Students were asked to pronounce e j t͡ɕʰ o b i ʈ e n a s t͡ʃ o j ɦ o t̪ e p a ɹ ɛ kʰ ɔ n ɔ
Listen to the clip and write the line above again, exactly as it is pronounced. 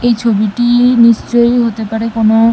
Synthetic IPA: e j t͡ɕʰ o b i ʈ i n i s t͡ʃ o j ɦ o t̪ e p a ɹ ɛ k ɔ n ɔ